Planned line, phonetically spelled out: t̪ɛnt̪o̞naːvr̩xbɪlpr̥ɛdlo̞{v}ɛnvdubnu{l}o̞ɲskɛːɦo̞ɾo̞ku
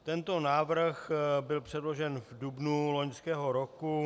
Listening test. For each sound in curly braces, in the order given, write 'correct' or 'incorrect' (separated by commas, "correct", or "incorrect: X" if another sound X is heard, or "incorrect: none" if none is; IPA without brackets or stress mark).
incorrect: ʒ, correct